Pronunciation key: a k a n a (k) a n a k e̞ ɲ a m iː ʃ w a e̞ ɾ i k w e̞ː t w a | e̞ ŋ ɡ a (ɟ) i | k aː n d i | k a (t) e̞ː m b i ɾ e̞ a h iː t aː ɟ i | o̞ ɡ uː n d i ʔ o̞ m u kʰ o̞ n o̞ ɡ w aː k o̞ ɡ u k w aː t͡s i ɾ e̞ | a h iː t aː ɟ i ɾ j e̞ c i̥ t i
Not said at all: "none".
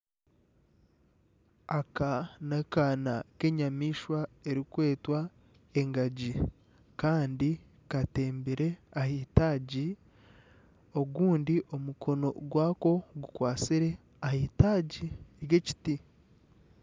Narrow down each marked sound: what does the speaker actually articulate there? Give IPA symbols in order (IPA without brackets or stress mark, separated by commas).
k, ɟ, t